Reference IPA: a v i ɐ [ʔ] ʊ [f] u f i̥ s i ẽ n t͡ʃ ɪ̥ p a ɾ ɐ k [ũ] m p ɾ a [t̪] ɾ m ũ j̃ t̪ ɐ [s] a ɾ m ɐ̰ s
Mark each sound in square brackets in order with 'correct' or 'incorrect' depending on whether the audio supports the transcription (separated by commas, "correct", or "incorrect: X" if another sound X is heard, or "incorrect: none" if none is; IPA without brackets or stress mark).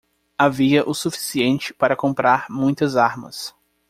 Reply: correct, incorrect: s, incorrect: õ, incorrect: none, incorrect: z